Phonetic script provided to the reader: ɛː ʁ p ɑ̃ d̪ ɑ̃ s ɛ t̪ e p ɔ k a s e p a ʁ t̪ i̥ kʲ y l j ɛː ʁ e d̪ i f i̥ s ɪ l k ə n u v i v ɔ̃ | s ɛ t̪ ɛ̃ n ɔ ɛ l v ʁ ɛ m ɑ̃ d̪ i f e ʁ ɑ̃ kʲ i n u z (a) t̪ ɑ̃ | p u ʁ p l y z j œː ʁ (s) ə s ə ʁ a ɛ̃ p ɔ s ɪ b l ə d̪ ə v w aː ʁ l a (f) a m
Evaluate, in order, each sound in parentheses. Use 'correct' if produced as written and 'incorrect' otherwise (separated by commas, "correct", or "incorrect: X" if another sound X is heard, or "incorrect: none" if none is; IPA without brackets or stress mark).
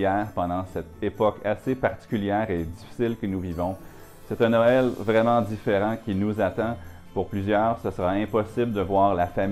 correct, correct, correct